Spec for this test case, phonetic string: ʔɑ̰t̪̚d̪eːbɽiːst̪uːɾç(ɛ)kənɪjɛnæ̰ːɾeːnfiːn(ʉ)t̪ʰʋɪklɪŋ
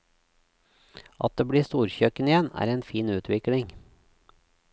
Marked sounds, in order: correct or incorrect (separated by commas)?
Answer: incorrect, incorrect